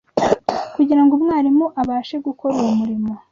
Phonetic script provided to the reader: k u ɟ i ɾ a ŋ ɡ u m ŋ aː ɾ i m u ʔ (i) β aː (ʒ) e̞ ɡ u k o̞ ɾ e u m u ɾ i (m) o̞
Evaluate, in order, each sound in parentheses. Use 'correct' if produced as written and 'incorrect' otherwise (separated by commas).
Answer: incorrect, incorrect, correct